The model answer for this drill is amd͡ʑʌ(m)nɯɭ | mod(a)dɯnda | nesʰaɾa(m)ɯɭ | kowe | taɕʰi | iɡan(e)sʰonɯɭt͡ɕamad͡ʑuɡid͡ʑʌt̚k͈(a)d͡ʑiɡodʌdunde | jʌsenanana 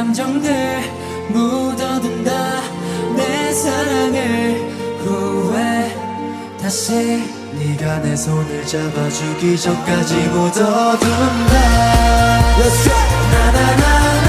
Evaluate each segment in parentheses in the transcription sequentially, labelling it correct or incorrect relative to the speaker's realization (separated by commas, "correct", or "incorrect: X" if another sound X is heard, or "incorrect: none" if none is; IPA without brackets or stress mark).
incorrect: ŋ, incorrect: ʌ, incorrect: ŋ, correct, correct